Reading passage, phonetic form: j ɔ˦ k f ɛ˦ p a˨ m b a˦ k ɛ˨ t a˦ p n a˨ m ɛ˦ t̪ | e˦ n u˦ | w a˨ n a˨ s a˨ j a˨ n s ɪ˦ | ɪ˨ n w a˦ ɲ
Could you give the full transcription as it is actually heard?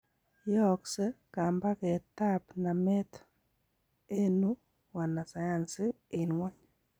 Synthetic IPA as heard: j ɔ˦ k s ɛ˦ k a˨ m b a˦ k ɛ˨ t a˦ p n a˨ m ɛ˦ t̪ | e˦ n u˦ | w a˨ n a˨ s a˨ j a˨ n s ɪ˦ | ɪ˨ n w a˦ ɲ